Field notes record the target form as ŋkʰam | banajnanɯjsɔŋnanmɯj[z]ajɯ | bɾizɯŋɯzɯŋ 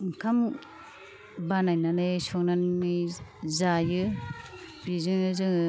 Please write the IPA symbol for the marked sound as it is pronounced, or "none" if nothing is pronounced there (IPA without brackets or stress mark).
z